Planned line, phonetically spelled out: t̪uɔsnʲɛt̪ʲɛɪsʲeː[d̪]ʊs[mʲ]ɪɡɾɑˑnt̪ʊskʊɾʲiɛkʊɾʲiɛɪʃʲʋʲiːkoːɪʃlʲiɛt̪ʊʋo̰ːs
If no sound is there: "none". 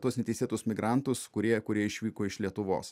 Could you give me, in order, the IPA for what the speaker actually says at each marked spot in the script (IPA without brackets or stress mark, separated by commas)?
t̪, mʲ